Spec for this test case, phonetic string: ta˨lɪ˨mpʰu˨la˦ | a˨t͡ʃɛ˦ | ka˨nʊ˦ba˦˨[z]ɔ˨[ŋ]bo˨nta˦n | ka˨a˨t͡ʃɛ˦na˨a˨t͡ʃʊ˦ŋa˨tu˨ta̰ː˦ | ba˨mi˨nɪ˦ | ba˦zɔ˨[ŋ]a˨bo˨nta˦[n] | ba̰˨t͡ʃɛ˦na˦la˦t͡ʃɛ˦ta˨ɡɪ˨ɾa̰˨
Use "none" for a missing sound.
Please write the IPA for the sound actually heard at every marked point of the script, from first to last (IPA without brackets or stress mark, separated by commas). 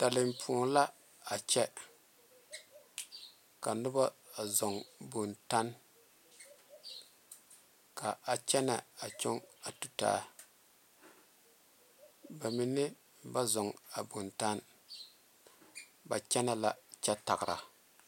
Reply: z, ŋ, ŋ, n